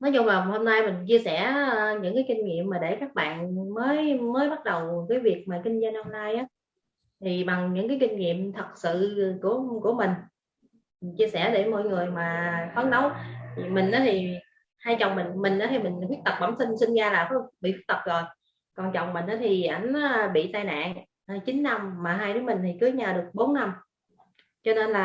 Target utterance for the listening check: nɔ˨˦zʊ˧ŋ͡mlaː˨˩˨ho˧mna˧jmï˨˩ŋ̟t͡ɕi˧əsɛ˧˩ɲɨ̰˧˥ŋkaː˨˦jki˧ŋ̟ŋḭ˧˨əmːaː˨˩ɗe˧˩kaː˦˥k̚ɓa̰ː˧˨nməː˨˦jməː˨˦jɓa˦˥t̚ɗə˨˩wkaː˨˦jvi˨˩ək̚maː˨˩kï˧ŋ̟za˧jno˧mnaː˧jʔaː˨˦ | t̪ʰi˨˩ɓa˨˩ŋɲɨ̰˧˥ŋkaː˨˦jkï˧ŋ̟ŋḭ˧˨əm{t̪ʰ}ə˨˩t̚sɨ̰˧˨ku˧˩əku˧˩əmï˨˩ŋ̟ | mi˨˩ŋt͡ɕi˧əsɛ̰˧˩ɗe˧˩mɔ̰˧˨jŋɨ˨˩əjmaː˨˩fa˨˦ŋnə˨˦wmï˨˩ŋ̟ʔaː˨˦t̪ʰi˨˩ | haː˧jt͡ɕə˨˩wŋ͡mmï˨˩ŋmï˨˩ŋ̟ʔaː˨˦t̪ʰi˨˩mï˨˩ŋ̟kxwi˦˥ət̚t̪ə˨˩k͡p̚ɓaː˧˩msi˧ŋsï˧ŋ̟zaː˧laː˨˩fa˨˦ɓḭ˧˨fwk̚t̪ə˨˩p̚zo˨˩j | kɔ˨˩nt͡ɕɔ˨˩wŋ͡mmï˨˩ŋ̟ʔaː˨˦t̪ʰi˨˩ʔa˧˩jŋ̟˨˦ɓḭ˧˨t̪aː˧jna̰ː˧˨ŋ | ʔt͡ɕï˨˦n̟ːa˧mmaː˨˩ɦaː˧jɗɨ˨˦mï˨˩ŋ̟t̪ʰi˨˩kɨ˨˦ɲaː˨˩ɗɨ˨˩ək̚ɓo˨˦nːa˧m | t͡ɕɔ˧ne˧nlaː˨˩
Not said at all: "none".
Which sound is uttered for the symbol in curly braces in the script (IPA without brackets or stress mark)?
t̪ʰ